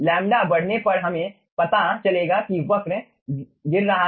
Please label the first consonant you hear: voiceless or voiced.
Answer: voiced